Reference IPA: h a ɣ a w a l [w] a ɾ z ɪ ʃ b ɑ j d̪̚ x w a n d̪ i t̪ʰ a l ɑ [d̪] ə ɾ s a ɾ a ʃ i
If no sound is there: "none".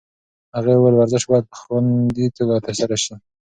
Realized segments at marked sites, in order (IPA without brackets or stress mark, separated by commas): w, t̪